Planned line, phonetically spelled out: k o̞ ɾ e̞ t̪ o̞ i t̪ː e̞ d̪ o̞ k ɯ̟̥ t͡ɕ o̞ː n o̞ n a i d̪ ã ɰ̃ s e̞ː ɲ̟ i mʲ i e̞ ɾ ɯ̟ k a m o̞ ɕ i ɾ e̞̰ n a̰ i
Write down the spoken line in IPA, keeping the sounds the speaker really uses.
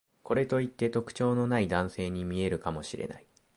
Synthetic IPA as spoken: k o̞ ɾ e̞ t̪ o̞ i t̪ː e̞ t̪ o̞ k ɯ̟̥ t͡ɕ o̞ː n o̞ n a i d̪ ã ɰ̃ s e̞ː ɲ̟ i mʲ i e̞ ɾ ɯ̟ k a m o̞ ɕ i ɾ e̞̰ n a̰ i